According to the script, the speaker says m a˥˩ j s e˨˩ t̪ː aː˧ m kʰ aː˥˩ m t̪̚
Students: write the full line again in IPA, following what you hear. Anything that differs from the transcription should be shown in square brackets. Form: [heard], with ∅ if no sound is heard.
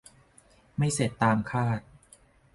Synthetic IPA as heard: m a˥˩ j s e˨˩ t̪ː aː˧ m kʰ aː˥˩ [∅] t̪̚